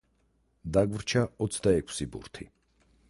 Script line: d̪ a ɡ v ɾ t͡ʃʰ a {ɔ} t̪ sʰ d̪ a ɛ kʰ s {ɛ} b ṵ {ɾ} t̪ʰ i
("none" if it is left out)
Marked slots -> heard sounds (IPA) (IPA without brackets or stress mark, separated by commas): ɔ, i, ɾ